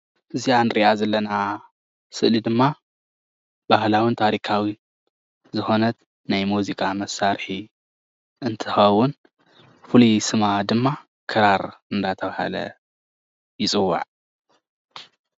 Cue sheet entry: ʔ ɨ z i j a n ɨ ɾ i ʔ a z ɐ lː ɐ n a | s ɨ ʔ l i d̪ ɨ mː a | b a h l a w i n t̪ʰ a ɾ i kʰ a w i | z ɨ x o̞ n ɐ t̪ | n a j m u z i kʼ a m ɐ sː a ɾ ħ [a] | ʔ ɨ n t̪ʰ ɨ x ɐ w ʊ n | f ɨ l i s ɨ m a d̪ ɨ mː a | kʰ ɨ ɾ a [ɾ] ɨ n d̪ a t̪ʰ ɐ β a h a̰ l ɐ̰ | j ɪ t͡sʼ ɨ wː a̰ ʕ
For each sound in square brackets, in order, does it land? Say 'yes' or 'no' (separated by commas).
no, yes